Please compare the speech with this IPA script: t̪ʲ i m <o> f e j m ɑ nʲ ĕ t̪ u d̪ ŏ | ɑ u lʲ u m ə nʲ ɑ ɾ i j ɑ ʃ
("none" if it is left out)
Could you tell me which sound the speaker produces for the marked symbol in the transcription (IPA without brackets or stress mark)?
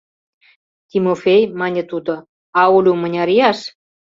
o